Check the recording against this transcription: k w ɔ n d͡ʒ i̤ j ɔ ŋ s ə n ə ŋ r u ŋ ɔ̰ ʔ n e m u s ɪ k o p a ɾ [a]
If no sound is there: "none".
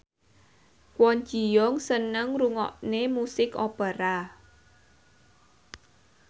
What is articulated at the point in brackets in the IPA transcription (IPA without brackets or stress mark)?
a